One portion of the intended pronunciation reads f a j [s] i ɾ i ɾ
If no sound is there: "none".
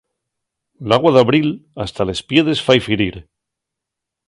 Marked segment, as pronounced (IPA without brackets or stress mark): f